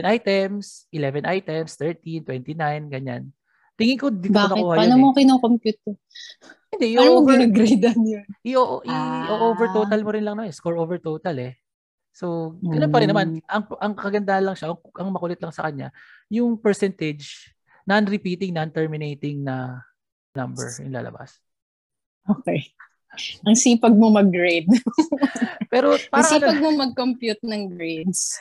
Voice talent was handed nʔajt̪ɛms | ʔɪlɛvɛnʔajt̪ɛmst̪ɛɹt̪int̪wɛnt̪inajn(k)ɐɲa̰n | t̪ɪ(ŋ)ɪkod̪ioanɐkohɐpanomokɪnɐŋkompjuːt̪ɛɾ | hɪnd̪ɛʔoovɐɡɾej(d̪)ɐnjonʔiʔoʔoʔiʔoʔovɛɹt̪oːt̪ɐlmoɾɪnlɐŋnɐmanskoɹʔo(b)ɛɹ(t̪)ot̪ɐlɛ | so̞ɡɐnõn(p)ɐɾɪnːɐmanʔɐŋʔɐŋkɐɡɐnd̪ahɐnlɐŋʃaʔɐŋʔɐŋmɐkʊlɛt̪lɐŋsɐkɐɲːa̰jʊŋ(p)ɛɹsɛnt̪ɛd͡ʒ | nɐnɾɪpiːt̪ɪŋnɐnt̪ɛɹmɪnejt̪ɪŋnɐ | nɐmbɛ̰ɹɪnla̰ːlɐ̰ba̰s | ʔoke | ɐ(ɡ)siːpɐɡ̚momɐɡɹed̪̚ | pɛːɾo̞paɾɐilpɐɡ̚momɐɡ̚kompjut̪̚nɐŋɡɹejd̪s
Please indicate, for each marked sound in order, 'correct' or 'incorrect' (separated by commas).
incorrect, correct, correct, incorrect, correct, correct, correct, incorrect